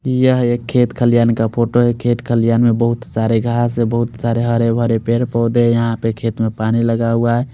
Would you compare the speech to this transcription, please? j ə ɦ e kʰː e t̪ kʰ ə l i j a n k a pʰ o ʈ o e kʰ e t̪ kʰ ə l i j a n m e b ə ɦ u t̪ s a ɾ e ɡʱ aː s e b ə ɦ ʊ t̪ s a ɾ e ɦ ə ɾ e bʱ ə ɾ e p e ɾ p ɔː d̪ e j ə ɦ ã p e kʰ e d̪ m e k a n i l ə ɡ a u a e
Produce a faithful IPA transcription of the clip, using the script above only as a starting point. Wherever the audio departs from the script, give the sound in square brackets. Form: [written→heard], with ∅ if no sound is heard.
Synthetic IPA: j ə ɦ e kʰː e t̪ kʰ ə l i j a n k a pʰ o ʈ o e kʰ e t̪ kʰ ə l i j a n m e b ə ɦ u t̪ s a ɾ e ɡʱ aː s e b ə ɦ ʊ t̪ s a ɾ e ɦ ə ɾ e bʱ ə ɾ e p e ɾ p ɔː d̪ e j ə ɦ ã p e kʰ e [d̪→t̪] m e [k→p] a n i l ə ɡ a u a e